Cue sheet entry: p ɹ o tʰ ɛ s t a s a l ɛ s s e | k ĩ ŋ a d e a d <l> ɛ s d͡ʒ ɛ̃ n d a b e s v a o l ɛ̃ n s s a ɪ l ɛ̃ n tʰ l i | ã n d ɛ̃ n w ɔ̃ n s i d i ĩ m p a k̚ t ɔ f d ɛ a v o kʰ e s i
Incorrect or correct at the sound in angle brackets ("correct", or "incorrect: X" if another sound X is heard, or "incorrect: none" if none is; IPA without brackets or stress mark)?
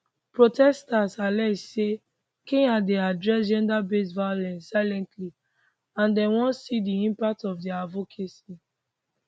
incorrect: ɹ